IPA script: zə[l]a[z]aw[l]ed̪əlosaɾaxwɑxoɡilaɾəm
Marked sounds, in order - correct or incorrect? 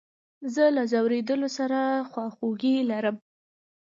correct, correct, incorrect: ɾ

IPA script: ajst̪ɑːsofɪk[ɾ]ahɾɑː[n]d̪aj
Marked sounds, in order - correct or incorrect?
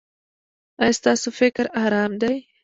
correct, incorrect: m

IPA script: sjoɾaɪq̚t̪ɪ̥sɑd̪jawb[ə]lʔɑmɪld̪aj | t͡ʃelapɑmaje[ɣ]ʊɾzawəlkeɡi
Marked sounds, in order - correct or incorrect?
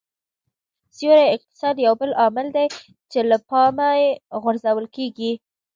correct, correct

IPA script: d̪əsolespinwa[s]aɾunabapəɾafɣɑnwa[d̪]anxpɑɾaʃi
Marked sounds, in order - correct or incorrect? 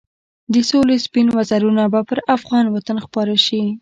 incorrect: z, incorrect: t̪

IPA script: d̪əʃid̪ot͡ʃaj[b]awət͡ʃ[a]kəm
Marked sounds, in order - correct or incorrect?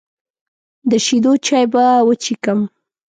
correct, incorrect: i

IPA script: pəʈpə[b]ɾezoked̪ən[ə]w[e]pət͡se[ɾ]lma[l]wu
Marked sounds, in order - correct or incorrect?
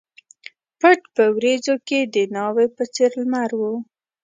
incorrect: w, incorrect: ɑ, correct, correct, incorrect: ɾ

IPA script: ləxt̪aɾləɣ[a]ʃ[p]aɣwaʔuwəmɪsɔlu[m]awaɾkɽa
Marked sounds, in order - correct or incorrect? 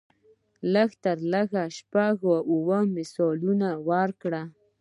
correct, correct, incorrect: n

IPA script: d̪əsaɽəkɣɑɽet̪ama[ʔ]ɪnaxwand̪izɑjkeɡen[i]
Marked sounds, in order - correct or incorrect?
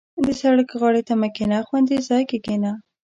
incorrect: k, incorrect: a

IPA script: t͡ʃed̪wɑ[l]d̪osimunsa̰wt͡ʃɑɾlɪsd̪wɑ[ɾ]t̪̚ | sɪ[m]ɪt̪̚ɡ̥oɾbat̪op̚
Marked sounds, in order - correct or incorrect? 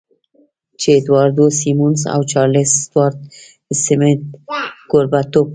incorrect: ɾ, correct, correct

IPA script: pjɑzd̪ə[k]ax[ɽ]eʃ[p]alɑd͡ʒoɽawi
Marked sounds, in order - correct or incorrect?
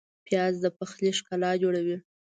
incorrect: p, incorrect: l, incorrect: k

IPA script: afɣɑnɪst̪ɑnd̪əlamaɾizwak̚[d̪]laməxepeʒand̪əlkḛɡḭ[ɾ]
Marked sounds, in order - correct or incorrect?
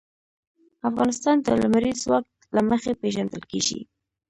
incorrect: t̪, incorrect: none

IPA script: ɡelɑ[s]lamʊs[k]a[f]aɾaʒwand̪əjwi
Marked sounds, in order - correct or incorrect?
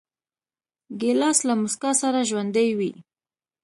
correct, correct, incorrect: s

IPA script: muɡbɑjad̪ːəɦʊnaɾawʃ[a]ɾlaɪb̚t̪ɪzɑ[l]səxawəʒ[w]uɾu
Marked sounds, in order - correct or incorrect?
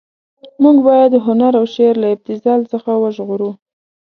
incorrect: e, correct, incorrect: ɣ

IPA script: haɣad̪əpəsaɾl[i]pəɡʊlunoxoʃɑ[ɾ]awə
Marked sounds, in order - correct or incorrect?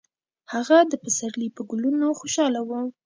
correct, incorrect: l

